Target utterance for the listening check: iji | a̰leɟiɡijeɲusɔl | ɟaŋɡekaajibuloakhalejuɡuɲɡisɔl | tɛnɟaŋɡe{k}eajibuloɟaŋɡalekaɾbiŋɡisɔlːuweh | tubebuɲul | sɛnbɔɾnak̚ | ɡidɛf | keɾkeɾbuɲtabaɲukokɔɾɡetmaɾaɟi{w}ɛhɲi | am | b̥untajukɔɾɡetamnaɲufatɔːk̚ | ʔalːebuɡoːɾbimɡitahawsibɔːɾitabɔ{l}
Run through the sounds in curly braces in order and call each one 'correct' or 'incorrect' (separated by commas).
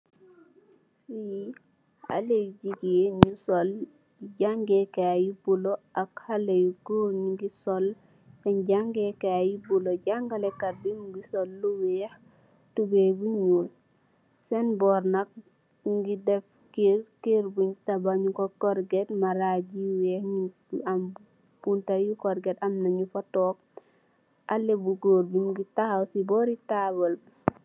correct, correct, correct